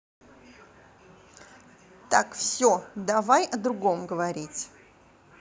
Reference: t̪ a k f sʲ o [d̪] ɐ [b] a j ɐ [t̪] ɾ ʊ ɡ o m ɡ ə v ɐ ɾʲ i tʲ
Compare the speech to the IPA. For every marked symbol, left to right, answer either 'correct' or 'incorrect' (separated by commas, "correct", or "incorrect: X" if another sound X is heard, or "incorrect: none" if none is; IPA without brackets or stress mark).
correct, incorrect: v, incorrect: d̪